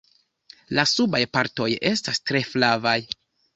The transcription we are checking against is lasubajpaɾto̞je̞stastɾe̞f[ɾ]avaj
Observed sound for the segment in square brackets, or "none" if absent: l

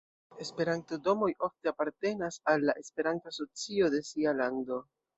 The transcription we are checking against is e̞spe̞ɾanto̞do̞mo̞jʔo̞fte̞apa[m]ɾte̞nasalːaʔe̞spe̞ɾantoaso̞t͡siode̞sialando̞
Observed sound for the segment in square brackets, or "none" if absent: none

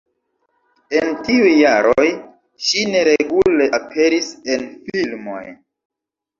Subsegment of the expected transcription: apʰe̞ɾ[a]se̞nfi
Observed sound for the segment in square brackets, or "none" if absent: i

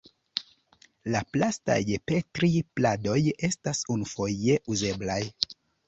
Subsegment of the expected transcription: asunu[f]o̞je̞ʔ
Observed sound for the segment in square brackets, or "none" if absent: f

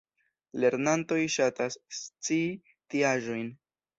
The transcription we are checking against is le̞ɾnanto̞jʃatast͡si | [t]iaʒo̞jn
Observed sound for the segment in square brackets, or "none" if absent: t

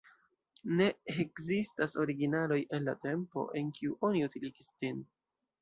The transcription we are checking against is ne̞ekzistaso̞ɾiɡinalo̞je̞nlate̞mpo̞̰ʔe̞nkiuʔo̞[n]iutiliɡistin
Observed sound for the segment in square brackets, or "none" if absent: n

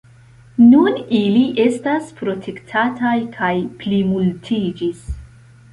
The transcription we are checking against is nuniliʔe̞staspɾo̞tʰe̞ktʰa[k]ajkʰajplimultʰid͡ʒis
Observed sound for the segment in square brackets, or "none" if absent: t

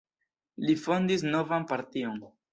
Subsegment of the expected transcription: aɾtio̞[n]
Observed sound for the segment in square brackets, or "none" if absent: n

